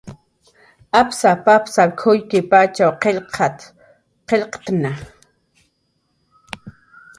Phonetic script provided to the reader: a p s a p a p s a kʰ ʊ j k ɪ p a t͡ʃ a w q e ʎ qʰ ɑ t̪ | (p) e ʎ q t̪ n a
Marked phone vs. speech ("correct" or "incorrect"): incorrect